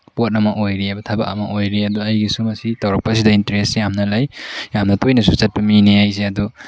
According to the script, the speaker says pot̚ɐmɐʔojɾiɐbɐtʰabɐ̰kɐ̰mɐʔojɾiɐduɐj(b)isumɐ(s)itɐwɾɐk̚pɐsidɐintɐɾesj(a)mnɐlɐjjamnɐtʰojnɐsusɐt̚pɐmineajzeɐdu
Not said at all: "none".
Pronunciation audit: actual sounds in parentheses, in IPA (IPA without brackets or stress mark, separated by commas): ɡ, s, a